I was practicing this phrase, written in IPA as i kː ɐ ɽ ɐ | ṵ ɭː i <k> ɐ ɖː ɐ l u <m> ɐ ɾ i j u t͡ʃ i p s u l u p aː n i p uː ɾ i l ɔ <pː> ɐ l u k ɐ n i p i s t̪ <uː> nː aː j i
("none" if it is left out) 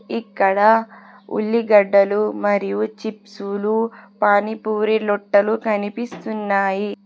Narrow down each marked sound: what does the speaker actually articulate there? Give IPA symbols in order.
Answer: ɡ, m, ʈː, u

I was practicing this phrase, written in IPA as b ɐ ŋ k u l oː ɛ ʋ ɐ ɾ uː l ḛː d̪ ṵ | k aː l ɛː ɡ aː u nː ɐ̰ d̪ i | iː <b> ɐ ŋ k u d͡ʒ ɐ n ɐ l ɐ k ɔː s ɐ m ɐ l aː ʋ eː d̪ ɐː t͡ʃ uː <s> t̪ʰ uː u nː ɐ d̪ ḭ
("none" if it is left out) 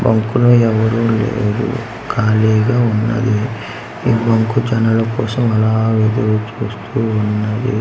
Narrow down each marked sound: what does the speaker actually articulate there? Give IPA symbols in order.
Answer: b, s

